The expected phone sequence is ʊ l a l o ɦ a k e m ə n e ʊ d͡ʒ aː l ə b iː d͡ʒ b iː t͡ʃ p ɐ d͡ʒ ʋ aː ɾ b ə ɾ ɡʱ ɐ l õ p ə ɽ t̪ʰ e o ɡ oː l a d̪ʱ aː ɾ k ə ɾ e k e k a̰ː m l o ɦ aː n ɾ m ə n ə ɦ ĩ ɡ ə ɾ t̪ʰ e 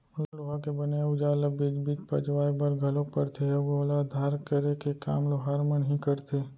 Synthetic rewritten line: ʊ l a l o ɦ a k e b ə n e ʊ d͡ʒ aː l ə b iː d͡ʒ b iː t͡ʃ p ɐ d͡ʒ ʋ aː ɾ b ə ɾ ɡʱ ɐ l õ p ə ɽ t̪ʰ e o ɡ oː l a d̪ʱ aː ɾ k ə ɾ e k e k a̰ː m l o ɦ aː ɾ m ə n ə ɦ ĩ k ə ɾ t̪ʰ e

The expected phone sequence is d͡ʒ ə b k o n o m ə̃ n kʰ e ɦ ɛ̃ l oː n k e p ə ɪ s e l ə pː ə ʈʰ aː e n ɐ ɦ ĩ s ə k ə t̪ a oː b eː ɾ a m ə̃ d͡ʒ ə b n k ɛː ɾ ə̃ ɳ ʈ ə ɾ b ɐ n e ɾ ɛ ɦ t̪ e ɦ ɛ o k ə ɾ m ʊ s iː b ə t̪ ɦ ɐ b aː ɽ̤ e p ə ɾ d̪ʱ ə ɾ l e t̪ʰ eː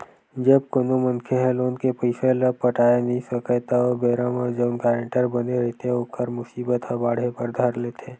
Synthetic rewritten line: d͡ʒ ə b k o n o m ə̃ n kʰ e ɦ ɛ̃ l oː n k e p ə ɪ s e l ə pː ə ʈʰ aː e n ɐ ɦ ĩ s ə k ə t̪ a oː b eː ɾ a m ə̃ d͡ʒ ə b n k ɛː ɾ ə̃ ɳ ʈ ə ɾ b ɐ n e ɾ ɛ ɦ t̪ e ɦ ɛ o k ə ɾ m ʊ s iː b ə t̪ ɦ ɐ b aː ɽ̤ e p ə ɾ d̪ʱ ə ɾ l e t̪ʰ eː

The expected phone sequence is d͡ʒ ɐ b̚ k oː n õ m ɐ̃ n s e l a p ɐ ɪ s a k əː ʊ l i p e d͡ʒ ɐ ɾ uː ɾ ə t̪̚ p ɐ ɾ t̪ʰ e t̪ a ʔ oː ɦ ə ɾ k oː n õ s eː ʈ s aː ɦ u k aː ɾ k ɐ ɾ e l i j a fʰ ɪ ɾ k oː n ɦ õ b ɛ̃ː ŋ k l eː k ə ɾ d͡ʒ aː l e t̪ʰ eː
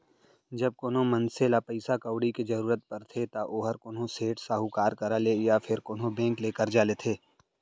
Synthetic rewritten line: d͡ʒ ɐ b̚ k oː n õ m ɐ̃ n s e l a p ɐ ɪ s a k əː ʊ ɽ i k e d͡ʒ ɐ ɾ uː ɾ ə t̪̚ p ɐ ɾ t̪ʰ e t̪ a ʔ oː ɦ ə ɾ k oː n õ s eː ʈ s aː ɦ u k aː ɾ k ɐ ɾ a l e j a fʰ ɪ ɾ k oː n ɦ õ b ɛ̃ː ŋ k l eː k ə ɾ d͡ʒ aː l e t̪ʰ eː

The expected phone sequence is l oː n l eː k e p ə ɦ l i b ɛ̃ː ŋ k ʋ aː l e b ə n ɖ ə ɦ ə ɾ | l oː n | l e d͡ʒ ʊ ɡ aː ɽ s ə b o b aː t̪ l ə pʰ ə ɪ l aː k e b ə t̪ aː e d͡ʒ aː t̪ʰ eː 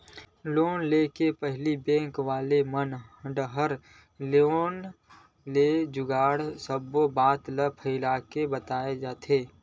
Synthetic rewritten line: l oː n l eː k e p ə ɦ l i b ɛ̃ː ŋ k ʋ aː l e m ə n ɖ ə ɦ ə ɾ | l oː n | l e d͡ʒ ʊ ɡ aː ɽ s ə b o b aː t̪ l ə pʰ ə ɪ l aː k e b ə t̪ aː e d͡ʒ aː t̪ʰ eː

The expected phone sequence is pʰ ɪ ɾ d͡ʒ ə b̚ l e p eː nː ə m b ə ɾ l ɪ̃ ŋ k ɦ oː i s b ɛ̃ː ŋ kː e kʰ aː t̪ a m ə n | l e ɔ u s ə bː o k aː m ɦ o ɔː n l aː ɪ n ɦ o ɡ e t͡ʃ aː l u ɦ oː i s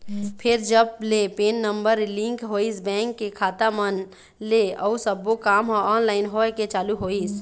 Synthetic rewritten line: pʰ ɪ ɾ d͡ʒ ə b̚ l e p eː nː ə m b ə ɾ l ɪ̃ ŋ k ɦ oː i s b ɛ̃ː ŋ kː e kʰ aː t̪ a m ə n | l e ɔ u s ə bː o k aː m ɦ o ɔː n l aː ɪ n ɦ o k e t͡ʃ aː l u ɦ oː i s

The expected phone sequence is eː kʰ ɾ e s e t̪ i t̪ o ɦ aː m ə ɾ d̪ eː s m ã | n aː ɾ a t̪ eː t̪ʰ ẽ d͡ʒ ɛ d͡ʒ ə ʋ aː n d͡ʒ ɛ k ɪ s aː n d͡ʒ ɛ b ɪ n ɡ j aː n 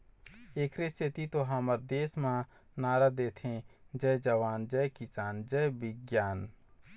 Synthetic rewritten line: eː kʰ ɾ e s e t̪ i t̪ o ɦ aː m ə ɾ d̪ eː s m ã | n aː ɾ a d̪ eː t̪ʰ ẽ d͡ʒ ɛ d͡ʒ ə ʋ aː n d͡ʒ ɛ k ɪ s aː n d͡ʒ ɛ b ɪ ɡ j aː n

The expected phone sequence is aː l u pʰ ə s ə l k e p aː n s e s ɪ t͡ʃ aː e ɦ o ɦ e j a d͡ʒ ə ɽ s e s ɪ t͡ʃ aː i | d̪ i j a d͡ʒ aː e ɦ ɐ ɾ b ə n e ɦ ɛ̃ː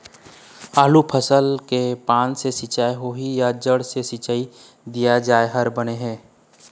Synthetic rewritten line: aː l u pʰ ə s ə l k e p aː n s e s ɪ t͡ʃ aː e ɦ o ɦ i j a d͡ʒ ə ɽ s e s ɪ t͡ʃ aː i | d̪ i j a d͡ʒ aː e ɦ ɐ ɾ b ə n e ɦ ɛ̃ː

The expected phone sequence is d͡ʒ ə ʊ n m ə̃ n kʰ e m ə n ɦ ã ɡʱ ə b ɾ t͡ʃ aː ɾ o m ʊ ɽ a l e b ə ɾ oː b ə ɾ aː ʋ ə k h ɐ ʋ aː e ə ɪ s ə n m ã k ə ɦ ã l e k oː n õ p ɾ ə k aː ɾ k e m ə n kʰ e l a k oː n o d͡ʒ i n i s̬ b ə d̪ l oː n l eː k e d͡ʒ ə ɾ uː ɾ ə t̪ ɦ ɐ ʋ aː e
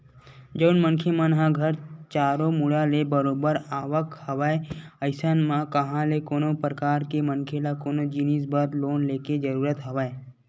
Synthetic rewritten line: d͡ʒ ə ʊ n m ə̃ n kʰ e m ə n ɦ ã ɡʱ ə ɾ t͡ʃ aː ɾ o m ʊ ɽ a l e b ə ɾ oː b ə ɾ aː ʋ ə k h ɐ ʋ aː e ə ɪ s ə n m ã k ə ɦ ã l e k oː n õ p ɾ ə k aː ɾ k e m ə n kʰ e l a k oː n o d͡ʒ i n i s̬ b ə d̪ l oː n l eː k e d͡ʒ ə ɾ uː ɾ ə t̪ ɦ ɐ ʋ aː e

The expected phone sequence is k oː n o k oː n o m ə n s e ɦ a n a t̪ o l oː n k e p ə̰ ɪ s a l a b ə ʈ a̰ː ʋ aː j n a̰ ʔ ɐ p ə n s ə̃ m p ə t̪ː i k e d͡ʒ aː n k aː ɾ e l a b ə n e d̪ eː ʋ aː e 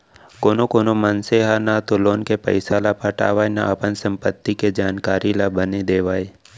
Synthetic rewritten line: k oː n o k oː n o m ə n s e ɦ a n a t̪ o l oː n k e p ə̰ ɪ s a l a p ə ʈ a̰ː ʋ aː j n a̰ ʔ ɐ p ə n s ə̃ m p ə t̪ː i k e d͡ʒ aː n k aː ɾ i l a b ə n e d̪ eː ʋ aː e

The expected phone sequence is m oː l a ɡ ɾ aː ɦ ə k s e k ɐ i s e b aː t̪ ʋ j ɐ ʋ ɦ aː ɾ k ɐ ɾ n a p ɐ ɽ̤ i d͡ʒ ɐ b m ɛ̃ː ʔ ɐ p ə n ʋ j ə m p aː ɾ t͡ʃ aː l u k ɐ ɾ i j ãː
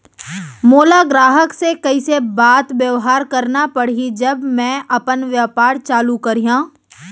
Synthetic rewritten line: m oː l a ɡ ɾ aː ɦ ə k s e k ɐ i s e b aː t̪ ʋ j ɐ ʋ ɦ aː ɾ k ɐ ɾ n a p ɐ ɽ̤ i d͡ʒ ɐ b m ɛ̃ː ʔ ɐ p ə n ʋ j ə p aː ɾ t͡ʃ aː l u k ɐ ɾ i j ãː

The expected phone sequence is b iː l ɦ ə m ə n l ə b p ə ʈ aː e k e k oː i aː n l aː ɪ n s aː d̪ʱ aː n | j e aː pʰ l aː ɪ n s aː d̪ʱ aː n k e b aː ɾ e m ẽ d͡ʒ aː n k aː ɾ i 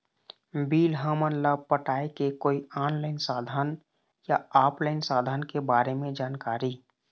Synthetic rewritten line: b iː l ɦ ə m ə n l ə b p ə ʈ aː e k e k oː i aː n l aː ɪ n s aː d̪ʱ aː n | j a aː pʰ l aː ɪ n s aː d̪ʱ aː n k e b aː ɾ e m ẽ d͡ʒ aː n k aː ɾ i

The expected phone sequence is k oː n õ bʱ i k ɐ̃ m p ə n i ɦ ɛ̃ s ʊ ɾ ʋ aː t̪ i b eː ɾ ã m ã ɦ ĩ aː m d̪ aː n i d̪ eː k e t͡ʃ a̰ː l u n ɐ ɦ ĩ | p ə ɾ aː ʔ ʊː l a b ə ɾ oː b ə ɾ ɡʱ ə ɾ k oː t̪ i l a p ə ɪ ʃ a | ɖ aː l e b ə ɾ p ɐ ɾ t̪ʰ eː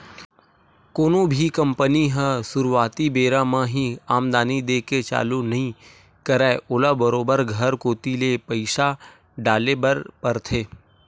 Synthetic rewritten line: k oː n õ bʱ i k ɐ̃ m p ə n i ɦ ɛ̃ s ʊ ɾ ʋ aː t̪ i b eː ɾ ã m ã ɦ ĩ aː m d̪ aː n i d̪ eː k e t͡ʃ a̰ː l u n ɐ ɦ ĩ | k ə ɾ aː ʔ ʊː l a b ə ɾ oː b ə ɾ ɡʱ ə ɾ k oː t̪ i l e p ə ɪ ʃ a | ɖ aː l e b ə ɾ p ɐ ɾ t̪ʰ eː

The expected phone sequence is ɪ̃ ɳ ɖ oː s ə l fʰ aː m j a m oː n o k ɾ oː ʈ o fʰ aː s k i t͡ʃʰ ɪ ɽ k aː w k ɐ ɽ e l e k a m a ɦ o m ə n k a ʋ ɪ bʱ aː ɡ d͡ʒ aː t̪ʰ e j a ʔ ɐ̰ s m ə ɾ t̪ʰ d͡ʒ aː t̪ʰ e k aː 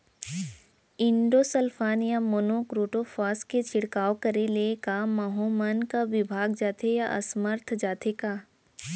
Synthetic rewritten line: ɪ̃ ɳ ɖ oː s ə l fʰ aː n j a m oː n o k ɾ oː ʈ o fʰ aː s k e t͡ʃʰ ɪ ɽ k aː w k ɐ ɾ e l e k a m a ɦ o m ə n k a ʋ ɪ bʱ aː ɡ d͡ʒ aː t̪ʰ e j a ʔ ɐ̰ s m ə ɾ t̪ʰ d͡ʒ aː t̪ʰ e k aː

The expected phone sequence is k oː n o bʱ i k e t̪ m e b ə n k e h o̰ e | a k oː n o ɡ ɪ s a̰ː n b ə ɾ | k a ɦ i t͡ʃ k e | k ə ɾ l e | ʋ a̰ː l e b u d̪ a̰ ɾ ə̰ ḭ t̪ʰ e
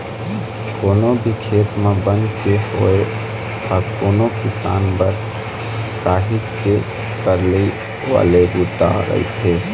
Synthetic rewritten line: k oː n o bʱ i kʰ e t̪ m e b ə n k e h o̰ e | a k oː n o k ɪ s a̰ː n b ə ɾ | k a ɦ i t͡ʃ k e | k ə ɾ l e | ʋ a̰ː l e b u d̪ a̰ ɾ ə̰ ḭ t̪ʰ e

